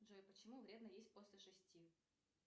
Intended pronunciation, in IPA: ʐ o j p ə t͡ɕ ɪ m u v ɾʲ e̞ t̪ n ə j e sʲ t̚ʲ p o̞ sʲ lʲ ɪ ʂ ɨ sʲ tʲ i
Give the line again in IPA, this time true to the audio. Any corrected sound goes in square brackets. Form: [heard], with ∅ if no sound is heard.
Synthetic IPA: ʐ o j p ə t͡ɕ ɪ m u v ɾʲ e̞ [d̪] n ə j e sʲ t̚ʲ p o̞ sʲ lʲ ɪ ʂ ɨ sʲ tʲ i